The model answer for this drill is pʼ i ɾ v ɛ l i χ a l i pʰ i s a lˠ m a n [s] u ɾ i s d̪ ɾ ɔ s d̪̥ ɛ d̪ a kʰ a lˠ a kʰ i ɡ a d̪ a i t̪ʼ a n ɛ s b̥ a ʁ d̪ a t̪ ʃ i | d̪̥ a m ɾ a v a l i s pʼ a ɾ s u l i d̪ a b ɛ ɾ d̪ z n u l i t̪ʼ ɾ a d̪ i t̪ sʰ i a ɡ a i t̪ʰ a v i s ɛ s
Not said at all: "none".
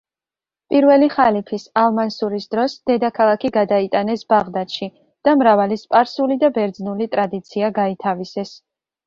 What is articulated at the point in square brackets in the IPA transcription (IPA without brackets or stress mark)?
s